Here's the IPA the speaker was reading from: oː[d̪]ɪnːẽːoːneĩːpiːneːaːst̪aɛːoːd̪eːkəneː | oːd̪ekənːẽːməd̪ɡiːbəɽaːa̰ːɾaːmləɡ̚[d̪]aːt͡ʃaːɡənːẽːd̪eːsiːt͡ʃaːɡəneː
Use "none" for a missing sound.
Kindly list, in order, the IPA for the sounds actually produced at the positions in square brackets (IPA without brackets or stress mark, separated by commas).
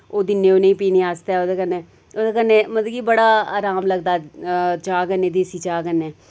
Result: d̪, d̪